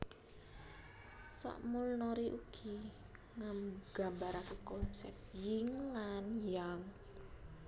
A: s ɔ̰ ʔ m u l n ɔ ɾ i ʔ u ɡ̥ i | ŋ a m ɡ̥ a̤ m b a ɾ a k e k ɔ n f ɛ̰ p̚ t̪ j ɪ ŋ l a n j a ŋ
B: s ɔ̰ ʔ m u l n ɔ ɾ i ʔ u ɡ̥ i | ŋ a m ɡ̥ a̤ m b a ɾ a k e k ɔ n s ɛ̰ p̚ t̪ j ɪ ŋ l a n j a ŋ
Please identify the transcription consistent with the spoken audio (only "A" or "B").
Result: B